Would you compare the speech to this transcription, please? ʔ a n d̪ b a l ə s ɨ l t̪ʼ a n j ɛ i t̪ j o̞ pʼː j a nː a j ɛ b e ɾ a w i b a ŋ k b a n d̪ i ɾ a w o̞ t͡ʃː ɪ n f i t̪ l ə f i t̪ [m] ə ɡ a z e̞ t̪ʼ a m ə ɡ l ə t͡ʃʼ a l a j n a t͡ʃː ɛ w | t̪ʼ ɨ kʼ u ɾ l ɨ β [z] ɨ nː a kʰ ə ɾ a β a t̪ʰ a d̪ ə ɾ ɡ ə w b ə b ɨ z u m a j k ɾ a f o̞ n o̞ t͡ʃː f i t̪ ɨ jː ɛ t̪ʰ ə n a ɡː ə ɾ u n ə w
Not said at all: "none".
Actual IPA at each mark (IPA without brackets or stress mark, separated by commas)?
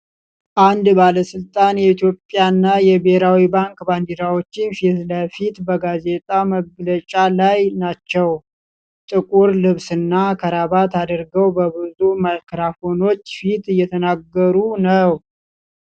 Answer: b, s